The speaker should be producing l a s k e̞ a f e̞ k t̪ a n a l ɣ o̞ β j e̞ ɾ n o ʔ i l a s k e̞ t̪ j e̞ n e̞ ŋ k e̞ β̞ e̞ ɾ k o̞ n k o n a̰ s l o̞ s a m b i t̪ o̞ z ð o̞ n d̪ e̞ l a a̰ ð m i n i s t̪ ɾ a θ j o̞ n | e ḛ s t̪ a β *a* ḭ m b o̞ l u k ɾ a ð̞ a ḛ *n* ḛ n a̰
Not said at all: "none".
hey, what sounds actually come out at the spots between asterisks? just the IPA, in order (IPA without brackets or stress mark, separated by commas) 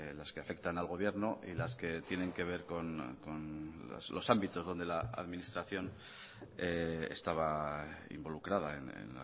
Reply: a, n